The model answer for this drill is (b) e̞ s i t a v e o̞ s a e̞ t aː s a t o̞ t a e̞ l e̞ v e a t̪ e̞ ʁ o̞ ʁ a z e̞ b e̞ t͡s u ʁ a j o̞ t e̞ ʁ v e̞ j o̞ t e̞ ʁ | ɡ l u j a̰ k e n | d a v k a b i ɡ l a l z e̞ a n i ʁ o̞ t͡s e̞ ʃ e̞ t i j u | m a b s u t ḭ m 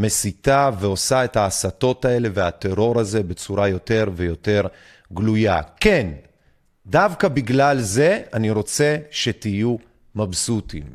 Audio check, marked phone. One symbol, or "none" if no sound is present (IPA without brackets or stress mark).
m